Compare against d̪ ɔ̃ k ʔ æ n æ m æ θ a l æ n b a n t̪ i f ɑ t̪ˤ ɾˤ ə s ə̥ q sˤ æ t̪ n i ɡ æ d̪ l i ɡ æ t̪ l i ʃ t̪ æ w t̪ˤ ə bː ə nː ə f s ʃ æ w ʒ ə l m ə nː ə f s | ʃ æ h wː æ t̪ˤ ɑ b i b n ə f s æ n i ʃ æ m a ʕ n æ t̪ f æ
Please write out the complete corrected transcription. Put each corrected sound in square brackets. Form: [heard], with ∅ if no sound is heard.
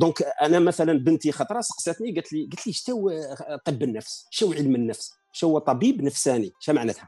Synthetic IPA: d̪ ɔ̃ k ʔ æ n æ m æ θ [æ] l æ n b [ə] n t̪ i [x] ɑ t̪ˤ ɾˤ [ɑ] s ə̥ q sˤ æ t̪ n i ɡ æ [t̪] l i ɡ æ t̪ l i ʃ t̪ æ w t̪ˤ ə bː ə nː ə f s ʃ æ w [ʕ] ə l m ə nː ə f s | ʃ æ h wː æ t̪ˤ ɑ b i b n ə f s æ n i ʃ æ m a ʕ n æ t̪ [h] æ